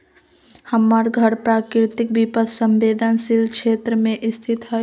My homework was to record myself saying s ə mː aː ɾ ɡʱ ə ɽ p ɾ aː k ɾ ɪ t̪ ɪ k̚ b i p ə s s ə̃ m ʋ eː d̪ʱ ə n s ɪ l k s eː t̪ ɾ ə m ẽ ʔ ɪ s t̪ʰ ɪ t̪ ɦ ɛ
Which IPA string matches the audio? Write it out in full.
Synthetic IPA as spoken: h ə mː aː ɾ ɡʱ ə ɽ p ɾ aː k ɾ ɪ t̪ ɪ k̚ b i p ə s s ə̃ m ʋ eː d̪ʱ ə n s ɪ l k ʃ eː t̪ ɾ ə m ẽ ʔ ɪ s t̪ʰ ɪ t̪ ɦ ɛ